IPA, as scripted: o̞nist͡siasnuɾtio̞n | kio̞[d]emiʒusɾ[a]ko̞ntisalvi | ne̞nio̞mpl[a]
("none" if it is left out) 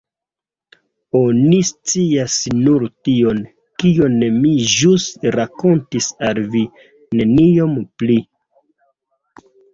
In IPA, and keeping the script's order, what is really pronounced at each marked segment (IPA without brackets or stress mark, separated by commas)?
n, a, i